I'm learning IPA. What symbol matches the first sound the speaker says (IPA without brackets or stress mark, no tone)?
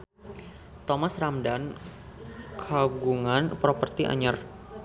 t̪